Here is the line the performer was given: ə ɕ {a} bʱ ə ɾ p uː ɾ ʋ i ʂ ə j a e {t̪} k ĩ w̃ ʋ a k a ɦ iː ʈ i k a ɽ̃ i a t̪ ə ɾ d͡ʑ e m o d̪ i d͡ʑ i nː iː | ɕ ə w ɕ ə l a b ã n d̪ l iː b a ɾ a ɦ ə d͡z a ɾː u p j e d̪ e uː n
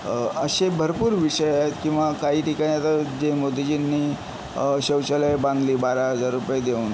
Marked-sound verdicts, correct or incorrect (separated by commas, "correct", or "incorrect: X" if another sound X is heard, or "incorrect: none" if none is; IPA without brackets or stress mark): incorrect: e, correct